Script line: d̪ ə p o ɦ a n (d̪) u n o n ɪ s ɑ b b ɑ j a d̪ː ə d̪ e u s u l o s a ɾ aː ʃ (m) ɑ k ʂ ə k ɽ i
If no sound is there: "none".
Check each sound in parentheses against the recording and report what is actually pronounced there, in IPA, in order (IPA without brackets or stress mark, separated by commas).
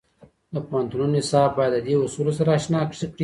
t̪, n